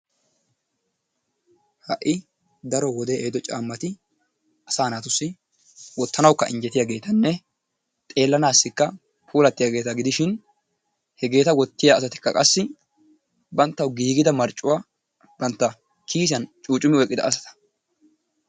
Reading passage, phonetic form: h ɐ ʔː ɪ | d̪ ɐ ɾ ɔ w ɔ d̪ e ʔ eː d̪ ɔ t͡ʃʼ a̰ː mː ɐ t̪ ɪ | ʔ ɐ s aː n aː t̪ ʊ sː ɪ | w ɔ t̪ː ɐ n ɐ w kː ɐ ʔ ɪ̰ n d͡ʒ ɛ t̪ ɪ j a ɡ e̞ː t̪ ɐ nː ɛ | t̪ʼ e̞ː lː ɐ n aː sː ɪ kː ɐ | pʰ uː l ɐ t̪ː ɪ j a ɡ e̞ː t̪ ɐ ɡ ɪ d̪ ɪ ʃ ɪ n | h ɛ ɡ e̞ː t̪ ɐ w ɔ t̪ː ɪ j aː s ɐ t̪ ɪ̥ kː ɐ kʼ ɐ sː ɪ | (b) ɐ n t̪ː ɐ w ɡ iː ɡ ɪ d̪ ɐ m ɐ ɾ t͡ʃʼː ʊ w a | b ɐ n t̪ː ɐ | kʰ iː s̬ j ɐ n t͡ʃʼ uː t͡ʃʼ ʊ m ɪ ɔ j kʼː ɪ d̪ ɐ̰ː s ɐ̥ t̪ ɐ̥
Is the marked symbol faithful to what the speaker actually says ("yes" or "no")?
yes